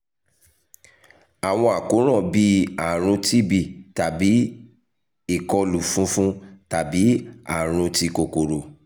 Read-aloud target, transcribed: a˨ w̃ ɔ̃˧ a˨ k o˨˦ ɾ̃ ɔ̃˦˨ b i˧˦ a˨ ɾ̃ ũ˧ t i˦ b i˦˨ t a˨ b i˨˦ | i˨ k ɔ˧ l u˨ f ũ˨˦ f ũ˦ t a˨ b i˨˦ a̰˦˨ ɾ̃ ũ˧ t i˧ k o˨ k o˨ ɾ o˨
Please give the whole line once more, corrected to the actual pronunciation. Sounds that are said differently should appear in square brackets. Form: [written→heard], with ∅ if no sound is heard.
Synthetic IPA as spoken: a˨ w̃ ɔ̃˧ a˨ k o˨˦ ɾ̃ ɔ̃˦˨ b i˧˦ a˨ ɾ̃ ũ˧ t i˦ b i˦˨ t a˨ b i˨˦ | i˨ k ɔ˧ l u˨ f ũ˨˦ f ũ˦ t a˨ b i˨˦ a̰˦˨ ɾ̃ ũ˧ t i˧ k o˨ k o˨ ɾ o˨